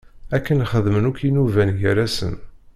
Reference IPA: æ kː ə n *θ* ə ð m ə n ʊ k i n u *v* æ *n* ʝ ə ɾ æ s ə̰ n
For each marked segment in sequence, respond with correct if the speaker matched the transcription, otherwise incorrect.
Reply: incorrect, correct, correct

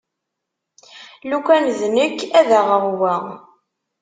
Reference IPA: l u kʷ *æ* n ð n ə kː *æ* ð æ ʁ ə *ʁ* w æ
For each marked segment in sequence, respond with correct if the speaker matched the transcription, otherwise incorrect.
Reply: correct, correct, correct

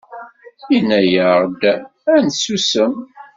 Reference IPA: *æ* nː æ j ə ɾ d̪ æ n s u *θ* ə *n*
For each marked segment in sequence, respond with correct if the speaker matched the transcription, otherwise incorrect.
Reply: incorrect, incorrect, incorrect

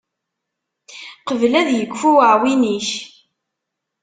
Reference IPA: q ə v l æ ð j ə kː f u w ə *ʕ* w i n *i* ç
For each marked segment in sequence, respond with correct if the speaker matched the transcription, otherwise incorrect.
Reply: correct, correct

